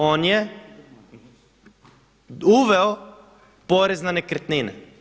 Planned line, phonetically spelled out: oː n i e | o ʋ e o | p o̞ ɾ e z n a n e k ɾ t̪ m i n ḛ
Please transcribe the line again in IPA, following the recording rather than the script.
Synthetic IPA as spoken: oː n j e | u ʋ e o | p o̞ ɾ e z n a n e k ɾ t̪ n i n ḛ